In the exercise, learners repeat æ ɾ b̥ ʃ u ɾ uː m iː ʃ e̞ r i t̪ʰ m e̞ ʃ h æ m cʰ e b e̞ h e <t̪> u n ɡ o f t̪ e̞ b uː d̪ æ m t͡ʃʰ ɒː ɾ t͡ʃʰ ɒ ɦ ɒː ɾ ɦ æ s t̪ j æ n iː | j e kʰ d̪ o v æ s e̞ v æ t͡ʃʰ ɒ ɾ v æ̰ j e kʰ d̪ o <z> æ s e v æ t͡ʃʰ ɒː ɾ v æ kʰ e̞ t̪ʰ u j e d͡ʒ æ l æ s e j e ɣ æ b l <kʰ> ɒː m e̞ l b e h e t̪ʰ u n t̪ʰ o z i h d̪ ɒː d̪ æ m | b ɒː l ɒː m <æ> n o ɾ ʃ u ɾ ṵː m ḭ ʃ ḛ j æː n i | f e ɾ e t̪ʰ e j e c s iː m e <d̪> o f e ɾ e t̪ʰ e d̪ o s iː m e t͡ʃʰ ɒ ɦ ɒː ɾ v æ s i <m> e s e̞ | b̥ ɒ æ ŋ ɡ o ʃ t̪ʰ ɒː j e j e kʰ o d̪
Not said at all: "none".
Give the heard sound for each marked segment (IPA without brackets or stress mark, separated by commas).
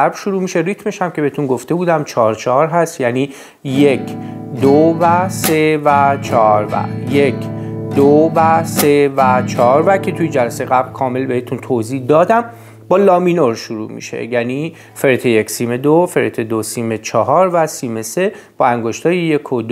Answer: t̪, v, kʰ, i, d̪, m